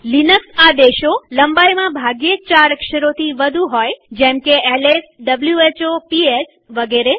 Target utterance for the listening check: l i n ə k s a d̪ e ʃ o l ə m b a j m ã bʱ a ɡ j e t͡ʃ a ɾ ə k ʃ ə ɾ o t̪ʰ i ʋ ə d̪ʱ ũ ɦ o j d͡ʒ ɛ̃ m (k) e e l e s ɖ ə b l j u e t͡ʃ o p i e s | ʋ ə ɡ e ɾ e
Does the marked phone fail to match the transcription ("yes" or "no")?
no